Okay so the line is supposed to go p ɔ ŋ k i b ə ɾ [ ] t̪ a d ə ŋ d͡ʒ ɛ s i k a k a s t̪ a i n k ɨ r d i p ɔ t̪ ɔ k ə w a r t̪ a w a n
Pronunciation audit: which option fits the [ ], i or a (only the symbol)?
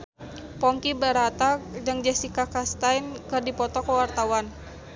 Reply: a